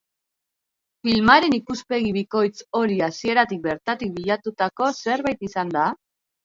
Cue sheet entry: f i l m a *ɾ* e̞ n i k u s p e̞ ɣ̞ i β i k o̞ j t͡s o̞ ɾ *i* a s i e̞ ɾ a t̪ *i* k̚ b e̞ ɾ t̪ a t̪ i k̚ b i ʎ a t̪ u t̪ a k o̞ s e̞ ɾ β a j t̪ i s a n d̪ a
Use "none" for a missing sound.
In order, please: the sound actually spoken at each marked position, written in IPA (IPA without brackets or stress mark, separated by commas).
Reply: ɾ, i, i